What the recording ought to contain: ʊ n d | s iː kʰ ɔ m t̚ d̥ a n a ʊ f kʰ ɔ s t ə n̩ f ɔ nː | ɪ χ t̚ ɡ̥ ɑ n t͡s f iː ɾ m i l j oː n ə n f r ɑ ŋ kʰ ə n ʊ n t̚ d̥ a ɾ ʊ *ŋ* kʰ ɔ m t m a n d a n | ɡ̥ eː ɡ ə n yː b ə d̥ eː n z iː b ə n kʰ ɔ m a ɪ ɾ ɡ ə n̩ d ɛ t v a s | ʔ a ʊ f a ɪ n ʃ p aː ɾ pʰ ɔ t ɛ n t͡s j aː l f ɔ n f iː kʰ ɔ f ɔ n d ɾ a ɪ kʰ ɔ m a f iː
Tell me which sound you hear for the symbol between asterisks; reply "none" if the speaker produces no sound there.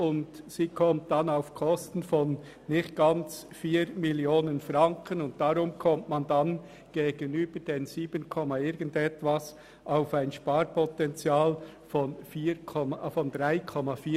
m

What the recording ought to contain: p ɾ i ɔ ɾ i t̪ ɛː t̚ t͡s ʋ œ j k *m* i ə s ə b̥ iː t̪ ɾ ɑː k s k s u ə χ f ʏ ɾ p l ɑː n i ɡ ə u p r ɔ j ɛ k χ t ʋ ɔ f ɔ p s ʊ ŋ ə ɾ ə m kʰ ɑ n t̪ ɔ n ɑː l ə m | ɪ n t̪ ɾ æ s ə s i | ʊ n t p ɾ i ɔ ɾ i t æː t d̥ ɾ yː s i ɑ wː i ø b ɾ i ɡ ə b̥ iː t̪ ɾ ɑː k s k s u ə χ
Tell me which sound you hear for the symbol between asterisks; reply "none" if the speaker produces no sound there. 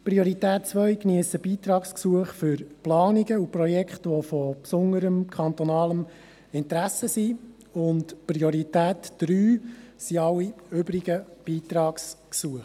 n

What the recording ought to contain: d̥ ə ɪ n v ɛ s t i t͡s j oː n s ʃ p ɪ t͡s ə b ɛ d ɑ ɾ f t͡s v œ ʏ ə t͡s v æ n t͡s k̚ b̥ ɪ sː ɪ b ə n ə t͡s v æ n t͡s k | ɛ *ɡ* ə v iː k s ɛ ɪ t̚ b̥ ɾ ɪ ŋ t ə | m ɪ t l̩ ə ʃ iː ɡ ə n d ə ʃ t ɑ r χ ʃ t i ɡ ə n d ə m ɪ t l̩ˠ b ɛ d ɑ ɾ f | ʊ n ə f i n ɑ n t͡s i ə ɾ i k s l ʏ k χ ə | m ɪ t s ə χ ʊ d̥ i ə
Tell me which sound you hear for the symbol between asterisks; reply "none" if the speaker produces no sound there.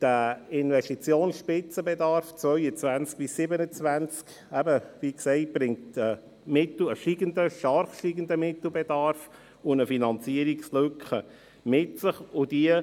b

